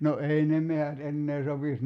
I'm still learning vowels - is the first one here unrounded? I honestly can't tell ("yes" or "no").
no